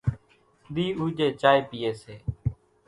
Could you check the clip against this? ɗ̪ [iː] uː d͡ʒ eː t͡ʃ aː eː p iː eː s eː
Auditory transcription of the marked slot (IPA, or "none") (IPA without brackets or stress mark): iː